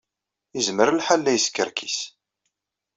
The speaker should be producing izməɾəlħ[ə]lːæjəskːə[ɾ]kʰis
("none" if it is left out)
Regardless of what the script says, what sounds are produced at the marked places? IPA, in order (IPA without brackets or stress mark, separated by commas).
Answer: a, ɾ